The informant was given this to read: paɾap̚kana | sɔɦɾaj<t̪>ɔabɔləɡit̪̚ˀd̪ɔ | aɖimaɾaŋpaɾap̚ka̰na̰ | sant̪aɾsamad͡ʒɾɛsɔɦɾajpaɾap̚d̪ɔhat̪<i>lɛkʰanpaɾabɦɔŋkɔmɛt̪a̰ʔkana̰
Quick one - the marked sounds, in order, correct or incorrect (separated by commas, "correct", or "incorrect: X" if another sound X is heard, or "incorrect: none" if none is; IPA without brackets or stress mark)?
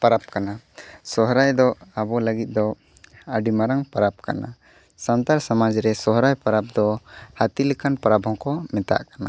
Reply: incorrect: d̪, correct